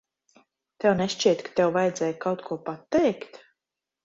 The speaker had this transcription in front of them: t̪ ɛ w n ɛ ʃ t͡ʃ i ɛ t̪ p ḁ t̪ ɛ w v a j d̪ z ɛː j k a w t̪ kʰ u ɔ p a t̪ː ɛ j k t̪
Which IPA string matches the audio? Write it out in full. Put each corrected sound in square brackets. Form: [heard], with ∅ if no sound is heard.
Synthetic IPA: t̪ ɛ w n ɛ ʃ t͡ʃ i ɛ t̪ [k] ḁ t̪ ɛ w v a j d̪ z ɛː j k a w t̪ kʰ u ɔ p a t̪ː ɛ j k t̪